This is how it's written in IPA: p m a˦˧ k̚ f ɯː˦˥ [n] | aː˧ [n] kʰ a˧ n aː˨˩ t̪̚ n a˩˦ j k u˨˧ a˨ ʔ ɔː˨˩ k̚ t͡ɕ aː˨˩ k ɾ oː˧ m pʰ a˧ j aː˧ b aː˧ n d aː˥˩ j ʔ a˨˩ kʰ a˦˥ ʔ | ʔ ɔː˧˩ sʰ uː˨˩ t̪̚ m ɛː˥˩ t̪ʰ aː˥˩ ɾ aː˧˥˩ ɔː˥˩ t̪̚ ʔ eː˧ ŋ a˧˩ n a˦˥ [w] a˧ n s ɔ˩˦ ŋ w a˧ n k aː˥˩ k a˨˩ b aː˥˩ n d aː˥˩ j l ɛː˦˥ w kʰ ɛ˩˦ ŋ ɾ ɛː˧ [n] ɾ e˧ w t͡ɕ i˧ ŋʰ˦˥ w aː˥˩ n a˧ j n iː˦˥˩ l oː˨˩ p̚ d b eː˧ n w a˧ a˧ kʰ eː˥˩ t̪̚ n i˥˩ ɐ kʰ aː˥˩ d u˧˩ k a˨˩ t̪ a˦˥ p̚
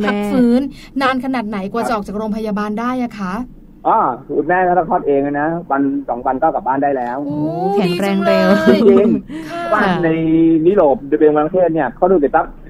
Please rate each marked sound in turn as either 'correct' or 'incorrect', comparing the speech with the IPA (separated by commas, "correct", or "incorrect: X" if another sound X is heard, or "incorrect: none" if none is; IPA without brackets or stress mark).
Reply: incorrect: nː, correct, correct, incorrect: ŋ